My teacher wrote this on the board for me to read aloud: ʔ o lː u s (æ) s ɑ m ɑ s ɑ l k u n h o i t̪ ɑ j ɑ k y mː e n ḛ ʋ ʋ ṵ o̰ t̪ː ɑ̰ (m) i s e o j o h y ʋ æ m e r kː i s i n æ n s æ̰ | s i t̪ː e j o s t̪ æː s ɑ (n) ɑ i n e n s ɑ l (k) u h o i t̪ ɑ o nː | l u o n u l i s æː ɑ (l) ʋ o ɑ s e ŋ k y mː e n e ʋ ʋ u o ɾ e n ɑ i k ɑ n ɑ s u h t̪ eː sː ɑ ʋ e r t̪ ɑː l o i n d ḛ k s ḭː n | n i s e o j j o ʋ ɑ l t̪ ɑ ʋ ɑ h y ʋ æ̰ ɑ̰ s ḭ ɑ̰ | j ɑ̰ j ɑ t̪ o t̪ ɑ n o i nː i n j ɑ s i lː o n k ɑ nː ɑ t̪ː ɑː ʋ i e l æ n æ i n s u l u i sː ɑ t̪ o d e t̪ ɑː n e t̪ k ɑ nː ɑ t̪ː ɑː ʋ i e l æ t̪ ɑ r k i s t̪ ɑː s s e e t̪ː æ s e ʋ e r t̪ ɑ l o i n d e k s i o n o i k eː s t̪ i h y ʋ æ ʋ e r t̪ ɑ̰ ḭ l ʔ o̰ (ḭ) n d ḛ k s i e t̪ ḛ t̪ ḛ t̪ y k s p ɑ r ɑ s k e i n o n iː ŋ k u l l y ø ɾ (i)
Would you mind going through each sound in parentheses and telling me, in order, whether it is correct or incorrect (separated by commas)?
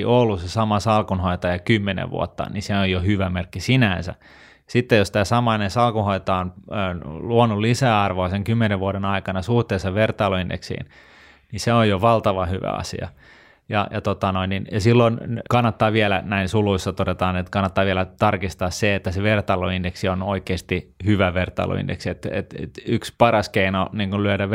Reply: incorrect, incorrect, incorrect, correct, incorrect, correct, incorrect